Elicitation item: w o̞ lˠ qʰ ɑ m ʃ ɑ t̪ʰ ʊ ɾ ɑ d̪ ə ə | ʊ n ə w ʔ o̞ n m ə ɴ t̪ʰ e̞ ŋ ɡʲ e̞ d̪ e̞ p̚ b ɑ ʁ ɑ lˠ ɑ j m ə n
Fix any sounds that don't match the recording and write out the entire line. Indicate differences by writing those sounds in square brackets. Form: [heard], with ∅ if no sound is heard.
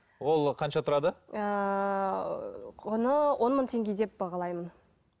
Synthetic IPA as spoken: w o̞ lˠ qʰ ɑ [n] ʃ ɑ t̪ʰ ʊ ɾ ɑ d̪ ə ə | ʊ n ə w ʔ o̞ n m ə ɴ t̪ʰ e̞ ŋ ɡʲ e̞ d̪ e̞ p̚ b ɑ ʁ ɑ lˠ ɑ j m ə n